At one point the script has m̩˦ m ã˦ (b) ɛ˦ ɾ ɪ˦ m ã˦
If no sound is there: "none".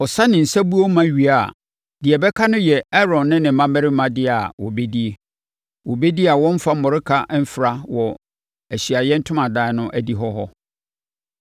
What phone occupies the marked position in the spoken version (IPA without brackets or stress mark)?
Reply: m